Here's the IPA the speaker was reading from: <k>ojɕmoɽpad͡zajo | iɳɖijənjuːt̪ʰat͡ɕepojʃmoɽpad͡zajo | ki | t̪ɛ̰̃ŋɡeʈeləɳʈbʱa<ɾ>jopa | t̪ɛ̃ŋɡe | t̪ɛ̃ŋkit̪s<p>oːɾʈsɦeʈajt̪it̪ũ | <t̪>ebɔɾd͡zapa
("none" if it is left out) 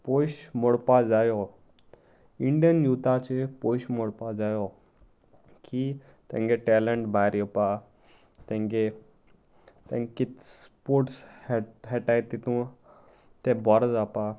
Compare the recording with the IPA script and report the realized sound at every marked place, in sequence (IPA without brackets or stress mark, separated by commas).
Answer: p, ɾ, p, t̪